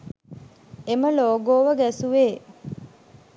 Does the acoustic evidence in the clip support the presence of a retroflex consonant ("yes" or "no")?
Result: no